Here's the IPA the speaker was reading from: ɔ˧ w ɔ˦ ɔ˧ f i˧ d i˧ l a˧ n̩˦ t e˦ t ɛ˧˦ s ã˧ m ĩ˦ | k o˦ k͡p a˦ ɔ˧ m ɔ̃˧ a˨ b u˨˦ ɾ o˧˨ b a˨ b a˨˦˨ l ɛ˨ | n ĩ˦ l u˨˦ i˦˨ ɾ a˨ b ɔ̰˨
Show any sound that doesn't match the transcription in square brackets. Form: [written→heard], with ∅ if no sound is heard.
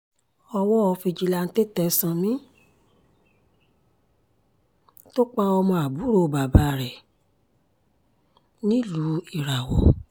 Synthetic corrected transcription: ɔ˧ w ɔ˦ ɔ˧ f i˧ [d→d͡ʒ] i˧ l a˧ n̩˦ t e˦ t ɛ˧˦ s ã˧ m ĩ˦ | [k→t] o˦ k͡p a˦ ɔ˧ m ɔ̃˧ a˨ b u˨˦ ɾ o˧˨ b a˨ b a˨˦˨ [l→ɾ] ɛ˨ | n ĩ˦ l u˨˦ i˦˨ ɾ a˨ [b→w] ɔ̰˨